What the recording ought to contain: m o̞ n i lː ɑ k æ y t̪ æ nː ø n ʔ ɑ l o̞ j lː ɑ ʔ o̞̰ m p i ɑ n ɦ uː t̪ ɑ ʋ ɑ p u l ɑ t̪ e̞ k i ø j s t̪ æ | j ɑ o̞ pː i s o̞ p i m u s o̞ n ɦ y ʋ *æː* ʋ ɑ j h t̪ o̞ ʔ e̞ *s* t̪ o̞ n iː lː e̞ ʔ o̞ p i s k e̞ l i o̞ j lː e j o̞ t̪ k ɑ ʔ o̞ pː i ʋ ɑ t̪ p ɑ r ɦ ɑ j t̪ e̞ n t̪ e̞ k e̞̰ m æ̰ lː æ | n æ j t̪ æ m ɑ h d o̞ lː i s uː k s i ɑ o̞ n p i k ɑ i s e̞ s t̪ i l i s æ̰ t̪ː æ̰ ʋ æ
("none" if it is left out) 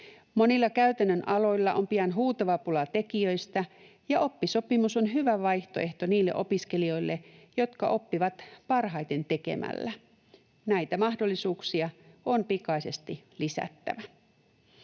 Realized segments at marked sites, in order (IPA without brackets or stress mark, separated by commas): æ, h